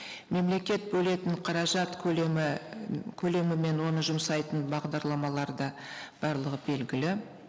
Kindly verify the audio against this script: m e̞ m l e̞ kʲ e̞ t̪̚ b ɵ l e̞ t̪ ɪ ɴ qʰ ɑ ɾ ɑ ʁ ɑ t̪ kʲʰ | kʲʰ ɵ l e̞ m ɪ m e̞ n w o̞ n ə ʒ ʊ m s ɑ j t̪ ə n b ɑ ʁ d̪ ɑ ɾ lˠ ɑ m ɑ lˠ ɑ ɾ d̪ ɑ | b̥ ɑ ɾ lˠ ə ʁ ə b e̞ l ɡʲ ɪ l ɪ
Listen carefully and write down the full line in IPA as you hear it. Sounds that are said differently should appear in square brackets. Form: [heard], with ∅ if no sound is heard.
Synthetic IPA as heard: m e̞ m l e̞ kʲ e̞ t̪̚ b ɵ l e̞ t̪ ɪ ɴ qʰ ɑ ɾ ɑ [ʒ] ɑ t̪ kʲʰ | kʲʰ ɵ l e̞ m ɪ m e̞ n w o̞ n ə ʒ ʊ m s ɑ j t̪ ə n b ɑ ʁ d̪ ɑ ɾ lˠ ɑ m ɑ lˠ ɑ ɾ d̪ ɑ | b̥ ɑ ɾ lˠ ə ʁ ə b e̞ l ɡʲ ɪ l ɪ